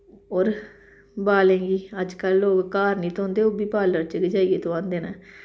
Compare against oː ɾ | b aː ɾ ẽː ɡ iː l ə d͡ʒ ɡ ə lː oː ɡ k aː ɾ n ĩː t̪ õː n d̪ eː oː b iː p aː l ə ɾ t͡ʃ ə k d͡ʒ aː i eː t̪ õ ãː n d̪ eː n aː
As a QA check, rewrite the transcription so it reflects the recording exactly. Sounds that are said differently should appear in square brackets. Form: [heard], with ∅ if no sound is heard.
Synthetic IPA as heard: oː ɾ | b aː [l] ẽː ɡ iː [∅] ə d͡ʒ [k] ə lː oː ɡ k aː ɾ n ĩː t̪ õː n d̪ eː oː b iː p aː l ə ɾ t͡ʃ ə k d͡ʒ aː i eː t̪ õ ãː n d̪ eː n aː